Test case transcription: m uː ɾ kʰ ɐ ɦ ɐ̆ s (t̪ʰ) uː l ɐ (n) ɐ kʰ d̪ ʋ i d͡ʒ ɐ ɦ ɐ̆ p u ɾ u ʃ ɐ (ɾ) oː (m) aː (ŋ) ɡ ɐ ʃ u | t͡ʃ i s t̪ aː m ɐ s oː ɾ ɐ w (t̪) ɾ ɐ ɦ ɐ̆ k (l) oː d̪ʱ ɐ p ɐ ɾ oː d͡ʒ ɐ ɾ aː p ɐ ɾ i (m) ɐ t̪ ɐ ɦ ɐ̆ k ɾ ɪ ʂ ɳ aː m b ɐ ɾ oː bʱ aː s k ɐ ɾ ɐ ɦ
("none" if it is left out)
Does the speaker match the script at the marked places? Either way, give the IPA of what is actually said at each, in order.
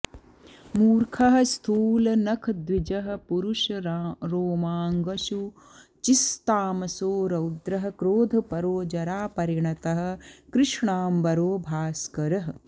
t̪ʰ, n, ɾ, m, ŋ, d̪, ɾ, ɳ

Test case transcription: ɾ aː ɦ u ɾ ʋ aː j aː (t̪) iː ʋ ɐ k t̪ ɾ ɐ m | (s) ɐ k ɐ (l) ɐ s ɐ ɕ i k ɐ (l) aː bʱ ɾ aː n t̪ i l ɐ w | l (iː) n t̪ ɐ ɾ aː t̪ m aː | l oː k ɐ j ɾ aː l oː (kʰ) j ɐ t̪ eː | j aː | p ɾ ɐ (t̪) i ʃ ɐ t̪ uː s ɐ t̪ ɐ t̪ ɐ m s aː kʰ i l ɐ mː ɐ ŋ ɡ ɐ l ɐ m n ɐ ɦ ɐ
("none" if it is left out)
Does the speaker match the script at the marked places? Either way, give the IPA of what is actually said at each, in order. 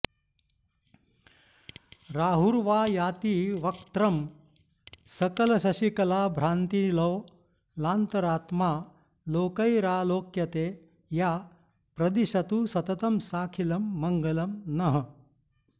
t̪, s, l, l, aː, k, d̪

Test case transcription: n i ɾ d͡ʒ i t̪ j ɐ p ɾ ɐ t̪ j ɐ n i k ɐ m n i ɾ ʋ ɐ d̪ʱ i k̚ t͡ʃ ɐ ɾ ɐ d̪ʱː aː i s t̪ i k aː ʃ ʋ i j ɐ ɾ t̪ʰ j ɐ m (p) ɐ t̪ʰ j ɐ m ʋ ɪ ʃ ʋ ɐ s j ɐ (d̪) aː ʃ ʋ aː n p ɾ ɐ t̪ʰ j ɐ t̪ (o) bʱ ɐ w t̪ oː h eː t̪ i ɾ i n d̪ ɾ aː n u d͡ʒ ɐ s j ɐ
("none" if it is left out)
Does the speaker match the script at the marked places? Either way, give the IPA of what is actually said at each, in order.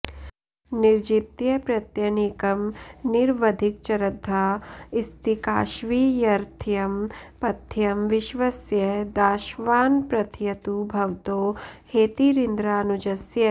p, d̪, u

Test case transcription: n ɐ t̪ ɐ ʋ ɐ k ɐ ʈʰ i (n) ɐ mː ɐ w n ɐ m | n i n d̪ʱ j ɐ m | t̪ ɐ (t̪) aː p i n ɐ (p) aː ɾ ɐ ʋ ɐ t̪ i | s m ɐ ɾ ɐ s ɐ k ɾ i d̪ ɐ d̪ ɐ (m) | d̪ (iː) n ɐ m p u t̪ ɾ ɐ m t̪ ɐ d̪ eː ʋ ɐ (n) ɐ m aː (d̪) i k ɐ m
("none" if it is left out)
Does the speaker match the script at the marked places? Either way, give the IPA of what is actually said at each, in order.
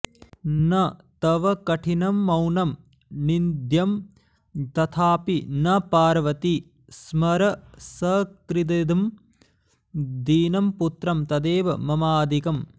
n, t̪ʰ, p, m, iː, m, d̪

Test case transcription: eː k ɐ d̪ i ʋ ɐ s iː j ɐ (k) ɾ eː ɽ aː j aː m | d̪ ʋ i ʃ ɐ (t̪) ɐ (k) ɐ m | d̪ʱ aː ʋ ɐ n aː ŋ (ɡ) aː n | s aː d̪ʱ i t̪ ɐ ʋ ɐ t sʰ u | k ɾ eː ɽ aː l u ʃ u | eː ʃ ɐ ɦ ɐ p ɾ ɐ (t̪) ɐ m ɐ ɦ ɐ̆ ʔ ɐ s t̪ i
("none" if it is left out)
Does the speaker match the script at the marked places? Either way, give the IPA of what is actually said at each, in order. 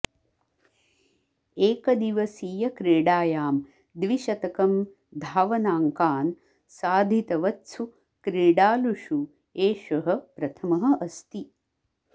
k, t̪, k, k, t̪ʰ

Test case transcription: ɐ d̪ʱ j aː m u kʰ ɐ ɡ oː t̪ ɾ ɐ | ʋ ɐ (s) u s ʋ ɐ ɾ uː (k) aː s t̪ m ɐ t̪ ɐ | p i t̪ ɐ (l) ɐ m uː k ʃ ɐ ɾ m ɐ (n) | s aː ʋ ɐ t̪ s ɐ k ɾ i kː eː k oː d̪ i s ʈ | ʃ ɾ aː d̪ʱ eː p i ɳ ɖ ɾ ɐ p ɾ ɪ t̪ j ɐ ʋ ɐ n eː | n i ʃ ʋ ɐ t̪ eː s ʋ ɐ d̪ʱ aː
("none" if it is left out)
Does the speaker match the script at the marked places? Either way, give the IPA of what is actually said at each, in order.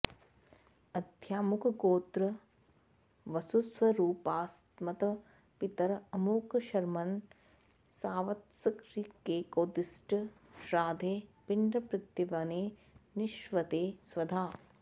s, p, ɾ, n

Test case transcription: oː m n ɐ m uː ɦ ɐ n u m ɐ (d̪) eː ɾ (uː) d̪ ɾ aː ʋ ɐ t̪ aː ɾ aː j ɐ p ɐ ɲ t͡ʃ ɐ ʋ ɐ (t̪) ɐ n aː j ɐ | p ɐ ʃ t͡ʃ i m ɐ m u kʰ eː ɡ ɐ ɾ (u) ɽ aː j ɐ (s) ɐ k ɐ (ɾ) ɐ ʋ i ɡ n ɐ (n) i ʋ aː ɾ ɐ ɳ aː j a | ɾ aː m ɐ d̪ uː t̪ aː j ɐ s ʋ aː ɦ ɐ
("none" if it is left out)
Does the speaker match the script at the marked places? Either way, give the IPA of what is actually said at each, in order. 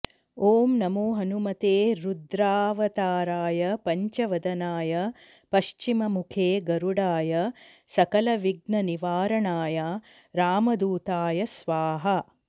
t̪, u, d̪, u, s, l, n

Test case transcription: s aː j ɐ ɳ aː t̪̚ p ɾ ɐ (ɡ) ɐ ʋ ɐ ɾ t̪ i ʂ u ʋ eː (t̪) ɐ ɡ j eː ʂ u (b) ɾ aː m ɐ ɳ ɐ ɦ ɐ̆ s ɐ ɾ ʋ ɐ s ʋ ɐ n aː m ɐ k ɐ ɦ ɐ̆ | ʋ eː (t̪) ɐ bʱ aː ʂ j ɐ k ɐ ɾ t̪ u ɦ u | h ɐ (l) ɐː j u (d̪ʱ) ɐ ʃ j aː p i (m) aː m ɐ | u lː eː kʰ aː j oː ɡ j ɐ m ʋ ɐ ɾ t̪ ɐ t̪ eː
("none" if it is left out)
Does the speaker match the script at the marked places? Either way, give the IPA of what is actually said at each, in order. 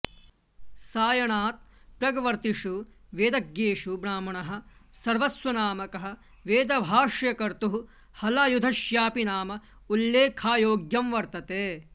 ɡ, d̪, b, d̪, l, d̪ʱ, n

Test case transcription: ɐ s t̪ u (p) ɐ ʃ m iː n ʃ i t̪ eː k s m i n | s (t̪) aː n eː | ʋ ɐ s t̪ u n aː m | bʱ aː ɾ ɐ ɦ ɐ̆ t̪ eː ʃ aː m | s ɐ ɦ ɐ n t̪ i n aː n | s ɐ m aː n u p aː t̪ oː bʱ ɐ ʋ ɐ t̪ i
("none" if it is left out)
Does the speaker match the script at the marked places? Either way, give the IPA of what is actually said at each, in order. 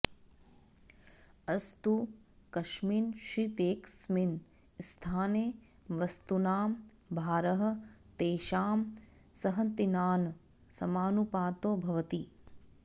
k, t̪ʰ

